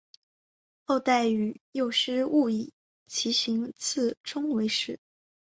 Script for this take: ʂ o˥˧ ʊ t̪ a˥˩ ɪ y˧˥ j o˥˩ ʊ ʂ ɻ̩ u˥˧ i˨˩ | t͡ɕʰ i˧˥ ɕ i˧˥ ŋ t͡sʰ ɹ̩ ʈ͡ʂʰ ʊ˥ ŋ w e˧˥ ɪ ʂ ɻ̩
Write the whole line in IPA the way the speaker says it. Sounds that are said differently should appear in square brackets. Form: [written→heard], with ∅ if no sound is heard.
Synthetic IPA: [ʂ→x] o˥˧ ʊ t̪ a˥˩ ɪ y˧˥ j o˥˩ ʊ ʂ ɻ̩ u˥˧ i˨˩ | t͡ɕʰ i˧˥ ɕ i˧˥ ŋ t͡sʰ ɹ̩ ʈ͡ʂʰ ʊ˥ ŋ w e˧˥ ɪ ʂ ɻ̩